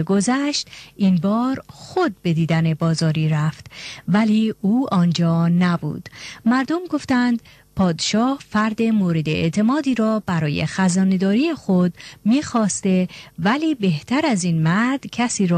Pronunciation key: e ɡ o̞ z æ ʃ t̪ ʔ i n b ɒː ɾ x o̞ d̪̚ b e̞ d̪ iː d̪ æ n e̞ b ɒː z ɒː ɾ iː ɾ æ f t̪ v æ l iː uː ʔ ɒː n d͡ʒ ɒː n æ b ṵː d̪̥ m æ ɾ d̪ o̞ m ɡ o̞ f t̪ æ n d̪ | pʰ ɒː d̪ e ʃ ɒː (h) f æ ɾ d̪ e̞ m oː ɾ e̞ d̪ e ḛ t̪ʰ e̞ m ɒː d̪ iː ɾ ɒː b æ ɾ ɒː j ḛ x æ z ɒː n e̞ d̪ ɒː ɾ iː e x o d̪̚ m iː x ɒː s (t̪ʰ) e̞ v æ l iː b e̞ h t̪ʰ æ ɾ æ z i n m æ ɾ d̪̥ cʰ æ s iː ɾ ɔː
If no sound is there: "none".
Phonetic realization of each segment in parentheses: h, t̪

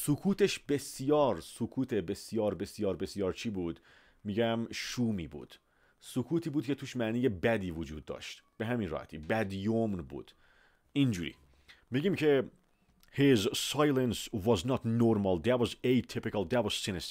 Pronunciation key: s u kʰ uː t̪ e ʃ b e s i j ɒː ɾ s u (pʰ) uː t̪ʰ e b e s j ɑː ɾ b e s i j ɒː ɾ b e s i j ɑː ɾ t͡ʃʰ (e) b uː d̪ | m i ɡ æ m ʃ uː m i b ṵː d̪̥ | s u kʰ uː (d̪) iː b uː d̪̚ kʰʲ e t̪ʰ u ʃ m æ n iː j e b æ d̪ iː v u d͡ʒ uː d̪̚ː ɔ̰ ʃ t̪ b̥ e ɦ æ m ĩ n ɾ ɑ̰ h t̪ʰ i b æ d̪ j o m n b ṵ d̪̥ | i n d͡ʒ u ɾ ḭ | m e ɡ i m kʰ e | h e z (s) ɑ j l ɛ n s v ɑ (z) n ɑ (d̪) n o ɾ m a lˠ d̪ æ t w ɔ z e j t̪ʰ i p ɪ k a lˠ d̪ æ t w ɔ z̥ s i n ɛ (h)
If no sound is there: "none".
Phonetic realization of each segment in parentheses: kʰ, i, t̪, s, z, t̪, s

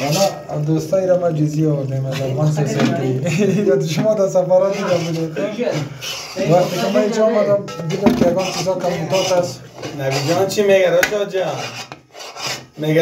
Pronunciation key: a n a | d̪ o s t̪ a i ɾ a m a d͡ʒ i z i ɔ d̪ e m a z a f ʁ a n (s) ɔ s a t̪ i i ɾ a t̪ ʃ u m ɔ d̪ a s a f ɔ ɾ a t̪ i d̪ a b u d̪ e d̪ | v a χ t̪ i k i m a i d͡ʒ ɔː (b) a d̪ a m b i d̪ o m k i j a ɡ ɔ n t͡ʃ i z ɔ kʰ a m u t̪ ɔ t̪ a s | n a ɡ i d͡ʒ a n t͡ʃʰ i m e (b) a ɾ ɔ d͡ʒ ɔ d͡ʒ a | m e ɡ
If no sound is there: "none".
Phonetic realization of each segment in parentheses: s, m, ɡ

